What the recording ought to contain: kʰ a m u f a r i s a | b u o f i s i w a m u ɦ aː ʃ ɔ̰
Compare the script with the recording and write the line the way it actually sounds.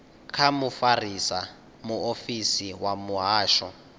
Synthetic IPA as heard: kʰ a m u f a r i s a | m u o f i s i w a m u ɦ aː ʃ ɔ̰